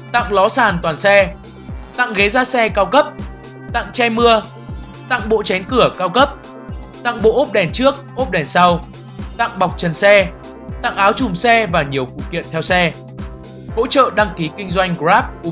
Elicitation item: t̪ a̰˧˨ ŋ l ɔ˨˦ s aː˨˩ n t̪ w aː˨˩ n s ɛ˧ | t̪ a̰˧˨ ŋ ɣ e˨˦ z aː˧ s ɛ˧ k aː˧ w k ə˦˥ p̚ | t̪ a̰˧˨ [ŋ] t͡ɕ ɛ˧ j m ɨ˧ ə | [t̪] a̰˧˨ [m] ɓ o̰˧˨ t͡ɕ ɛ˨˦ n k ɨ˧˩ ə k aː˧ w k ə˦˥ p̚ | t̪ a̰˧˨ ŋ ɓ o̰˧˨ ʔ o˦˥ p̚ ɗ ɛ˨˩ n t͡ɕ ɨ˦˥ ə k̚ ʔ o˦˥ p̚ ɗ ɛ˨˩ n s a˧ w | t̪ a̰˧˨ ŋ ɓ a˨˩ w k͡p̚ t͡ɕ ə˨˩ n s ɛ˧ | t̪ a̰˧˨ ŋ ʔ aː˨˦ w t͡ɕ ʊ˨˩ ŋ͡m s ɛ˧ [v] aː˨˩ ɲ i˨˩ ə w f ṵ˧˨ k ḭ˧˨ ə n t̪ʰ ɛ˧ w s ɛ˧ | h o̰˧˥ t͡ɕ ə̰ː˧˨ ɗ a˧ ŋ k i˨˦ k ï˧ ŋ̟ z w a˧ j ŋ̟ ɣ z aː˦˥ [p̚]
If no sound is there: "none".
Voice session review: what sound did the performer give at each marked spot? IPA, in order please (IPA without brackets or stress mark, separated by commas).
ŋ, t̪, ŋ, v, p̚